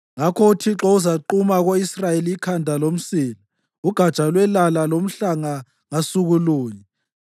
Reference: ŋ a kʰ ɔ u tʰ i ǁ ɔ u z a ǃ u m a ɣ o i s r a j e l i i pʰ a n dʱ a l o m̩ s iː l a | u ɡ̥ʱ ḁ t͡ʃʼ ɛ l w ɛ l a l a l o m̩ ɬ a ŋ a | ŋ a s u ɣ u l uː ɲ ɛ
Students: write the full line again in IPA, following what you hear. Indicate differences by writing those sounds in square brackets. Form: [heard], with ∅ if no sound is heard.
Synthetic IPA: ŋ a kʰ ɔ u tʰ i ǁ ɔ u z a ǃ u m a ɣ o i s r a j e l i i [kʰ] a n dʱ a l o m̩ s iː l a | u ɡ̥ʱ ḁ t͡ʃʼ [a] l w ɛ l a l a l o m̩ ɬ a ŋ a | ŋ a s u ɣ u l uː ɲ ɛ